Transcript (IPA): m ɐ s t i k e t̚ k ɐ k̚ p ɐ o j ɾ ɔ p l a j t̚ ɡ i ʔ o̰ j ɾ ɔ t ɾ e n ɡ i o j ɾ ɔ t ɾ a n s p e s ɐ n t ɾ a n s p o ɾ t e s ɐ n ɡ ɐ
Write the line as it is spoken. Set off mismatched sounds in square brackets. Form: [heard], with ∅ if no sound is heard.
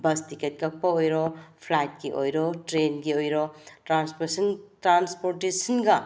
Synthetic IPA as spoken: [b] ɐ s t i k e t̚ k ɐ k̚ p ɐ o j ɾ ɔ [pʰ] l a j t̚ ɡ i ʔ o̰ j ɾ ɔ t ɾ e n ɡ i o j ɾ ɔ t ɾ a n s p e s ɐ n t ɾ a n s p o ɾ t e s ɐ n ɡ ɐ